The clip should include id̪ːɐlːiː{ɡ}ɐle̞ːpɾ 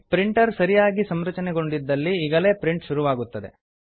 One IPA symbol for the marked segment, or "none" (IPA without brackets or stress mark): ɡ